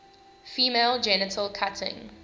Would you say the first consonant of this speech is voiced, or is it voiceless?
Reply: voiceless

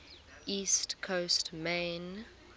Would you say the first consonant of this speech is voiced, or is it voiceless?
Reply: voiceless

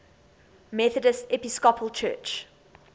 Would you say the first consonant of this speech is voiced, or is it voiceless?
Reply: voiced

